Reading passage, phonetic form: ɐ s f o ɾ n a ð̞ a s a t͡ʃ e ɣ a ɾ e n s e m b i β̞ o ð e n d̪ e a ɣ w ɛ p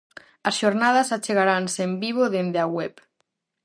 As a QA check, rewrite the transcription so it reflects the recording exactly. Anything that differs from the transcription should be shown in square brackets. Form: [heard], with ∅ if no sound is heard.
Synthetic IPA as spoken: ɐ s [ʃ] o ɾ n a ð̞ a s a t͡ʃ e ɣ a ɾ [a] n s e m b i β̞ o ð e n d̪ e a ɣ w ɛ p